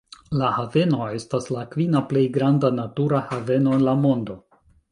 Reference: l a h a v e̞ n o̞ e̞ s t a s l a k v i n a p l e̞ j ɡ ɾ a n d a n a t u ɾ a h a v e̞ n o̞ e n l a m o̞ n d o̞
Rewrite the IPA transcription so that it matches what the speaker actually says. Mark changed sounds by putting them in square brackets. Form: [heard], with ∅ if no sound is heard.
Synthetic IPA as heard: l a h a v e̞ n o̞ e̞ s t a s l a k v i n a p l e̞ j ɡ ɾ a n d a n a t u ɾ a h a v e̞ n o̞ e n l a m o̞ n d o̞